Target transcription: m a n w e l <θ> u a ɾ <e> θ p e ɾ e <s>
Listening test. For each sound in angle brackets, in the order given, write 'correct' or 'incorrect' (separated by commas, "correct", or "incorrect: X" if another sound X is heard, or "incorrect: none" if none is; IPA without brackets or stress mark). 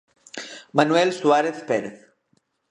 incorrect: s, correct, incorrect: θ